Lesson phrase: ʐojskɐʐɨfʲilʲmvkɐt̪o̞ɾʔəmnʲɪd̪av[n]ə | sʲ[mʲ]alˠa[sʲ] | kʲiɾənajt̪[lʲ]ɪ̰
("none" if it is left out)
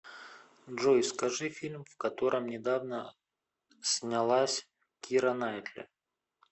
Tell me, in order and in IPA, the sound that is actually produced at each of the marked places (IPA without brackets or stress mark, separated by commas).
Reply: n, nʲ, sʲ, lʲ